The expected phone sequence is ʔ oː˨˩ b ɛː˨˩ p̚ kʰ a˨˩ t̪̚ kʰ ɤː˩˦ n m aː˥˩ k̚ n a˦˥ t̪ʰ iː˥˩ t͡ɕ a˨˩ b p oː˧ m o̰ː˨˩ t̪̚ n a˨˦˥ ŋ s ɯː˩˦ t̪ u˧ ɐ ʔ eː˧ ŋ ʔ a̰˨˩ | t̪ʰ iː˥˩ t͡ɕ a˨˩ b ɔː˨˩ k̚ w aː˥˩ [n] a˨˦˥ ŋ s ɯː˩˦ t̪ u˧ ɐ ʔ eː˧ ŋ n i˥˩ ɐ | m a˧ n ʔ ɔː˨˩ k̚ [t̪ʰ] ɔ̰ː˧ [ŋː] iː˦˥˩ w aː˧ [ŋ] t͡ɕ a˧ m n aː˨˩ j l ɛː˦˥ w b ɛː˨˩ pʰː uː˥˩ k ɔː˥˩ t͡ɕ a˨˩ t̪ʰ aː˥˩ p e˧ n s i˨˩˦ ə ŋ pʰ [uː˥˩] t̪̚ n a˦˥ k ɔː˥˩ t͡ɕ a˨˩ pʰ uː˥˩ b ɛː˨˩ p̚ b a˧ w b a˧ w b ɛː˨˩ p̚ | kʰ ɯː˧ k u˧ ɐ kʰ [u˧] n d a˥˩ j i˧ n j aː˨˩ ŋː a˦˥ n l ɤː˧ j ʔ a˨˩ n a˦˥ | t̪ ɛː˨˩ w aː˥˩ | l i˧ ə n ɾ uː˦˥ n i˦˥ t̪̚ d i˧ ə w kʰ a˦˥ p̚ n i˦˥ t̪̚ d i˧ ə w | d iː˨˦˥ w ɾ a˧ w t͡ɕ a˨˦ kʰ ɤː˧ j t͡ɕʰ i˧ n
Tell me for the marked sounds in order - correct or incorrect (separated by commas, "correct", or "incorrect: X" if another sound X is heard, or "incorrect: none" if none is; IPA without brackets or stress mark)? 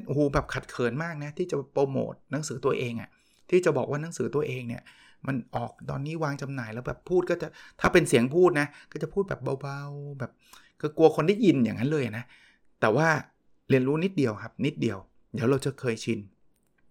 correct, incorrect: t̪, incorrect: nː, correct, correct, incorrect: o˧